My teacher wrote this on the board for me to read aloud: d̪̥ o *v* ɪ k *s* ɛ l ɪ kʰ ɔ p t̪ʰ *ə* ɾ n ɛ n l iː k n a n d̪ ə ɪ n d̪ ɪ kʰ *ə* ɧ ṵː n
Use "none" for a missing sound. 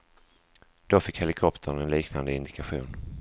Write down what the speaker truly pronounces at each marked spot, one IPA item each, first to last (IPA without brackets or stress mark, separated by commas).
f, h, ə, a